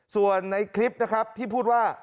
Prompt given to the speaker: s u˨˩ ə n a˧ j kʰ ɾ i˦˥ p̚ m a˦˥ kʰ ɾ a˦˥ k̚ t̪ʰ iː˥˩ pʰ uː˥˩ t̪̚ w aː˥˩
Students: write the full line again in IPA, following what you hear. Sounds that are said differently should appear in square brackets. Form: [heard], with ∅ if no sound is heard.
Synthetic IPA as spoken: s u˨˩ ə [nː] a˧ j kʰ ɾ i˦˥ p̚ [n] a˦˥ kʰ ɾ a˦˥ [p̚] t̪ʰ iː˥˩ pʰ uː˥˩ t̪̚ w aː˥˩